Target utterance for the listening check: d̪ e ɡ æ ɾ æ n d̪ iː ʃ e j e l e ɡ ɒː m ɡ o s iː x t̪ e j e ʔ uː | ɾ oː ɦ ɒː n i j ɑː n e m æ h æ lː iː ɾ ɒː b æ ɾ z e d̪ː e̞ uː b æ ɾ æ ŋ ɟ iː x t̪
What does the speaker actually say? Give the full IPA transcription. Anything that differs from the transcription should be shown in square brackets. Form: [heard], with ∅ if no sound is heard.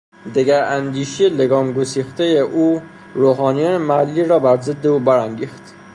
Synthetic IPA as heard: d̪ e ɡ æ ɾ æ n d̪ iː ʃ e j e l e ɡ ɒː m ɡ o s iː x t̪ e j e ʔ uː | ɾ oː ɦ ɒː n i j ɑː n e m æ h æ lː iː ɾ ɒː b æ ɾ z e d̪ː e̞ uː b æ ɾ æ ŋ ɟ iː x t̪